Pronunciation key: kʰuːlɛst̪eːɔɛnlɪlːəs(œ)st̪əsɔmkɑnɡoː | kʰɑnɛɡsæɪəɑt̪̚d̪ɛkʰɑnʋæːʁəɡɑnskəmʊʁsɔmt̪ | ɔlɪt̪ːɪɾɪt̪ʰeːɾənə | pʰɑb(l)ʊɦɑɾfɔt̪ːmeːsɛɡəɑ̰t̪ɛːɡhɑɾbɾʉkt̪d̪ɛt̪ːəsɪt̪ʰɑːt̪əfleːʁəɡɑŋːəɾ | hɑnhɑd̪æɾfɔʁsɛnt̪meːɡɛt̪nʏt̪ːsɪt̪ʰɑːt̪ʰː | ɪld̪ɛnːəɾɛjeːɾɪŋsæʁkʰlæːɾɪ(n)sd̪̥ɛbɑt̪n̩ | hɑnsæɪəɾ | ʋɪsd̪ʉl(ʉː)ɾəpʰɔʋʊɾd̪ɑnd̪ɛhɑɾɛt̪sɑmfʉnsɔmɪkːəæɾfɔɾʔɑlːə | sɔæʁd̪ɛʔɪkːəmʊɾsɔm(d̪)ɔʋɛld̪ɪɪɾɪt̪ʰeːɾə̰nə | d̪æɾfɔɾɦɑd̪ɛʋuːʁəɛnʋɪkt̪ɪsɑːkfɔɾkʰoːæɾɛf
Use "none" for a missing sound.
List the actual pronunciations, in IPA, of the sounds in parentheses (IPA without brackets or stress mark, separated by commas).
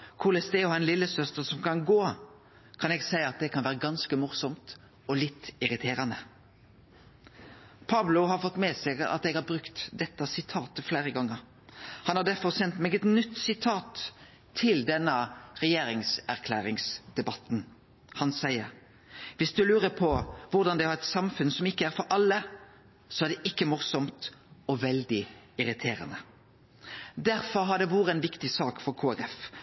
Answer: œ, l, ŋ, ʉː, t̪